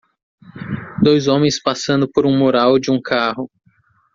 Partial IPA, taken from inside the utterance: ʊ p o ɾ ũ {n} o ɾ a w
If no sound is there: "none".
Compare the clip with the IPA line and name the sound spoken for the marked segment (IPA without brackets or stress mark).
m